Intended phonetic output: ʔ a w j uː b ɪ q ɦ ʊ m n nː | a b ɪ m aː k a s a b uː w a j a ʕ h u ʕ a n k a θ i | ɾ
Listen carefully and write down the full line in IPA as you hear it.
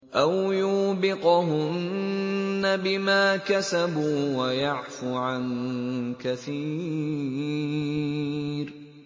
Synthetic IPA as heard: ʔ a w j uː b ɪ q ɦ ʊ n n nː | a b ɪ m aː k a s a b uː w a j a ʕ f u ʕ a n k a θ iː | ɾ